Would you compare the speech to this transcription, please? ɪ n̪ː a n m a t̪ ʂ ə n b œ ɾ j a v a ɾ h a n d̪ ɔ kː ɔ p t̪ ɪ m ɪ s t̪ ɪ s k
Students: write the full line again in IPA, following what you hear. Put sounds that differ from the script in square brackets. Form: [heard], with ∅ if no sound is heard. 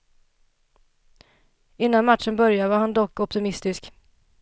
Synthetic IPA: ɪ n̪ː a n m a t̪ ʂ ə n b œ ɾ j a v a ɾ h a n d̪ ɔ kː ɔ p t̪ ɪ m ɪ s t̪ ɪ s k